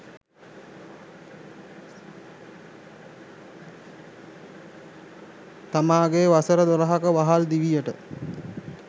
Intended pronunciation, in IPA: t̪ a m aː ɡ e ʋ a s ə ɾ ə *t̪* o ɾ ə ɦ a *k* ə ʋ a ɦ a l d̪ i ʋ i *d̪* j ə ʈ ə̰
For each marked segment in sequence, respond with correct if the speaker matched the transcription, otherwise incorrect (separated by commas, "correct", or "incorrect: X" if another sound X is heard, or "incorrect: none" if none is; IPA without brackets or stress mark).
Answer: incorrect: d̪, correct, incorrect: none